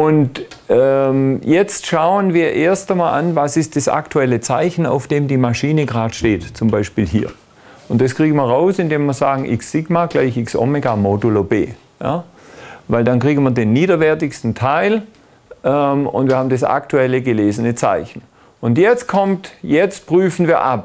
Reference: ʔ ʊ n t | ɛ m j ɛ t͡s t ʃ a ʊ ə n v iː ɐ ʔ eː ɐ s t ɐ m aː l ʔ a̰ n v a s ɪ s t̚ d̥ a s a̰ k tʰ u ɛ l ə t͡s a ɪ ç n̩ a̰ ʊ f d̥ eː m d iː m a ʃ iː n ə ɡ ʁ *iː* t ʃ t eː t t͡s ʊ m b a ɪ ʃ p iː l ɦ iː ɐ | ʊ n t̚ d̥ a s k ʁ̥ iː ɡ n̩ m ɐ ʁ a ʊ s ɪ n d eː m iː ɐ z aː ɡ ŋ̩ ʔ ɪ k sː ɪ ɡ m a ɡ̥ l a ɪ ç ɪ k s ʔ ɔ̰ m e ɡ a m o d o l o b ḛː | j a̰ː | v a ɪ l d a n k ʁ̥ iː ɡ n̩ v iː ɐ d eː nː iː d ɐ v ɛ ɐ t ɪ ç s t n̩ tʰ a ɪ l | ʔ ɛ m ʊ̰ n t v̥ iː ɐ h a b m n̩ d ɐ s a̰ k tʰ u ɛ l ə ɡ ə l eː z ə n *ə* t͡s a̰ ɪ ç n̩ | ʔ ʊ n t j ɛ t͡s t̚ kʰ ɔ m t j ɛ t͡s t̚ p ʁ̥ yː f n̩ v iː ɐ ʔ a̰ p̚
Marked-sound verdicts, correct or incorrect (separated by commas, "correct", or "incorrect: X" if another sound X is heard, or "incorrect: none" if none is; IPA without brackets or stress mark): incorrect: aː, correct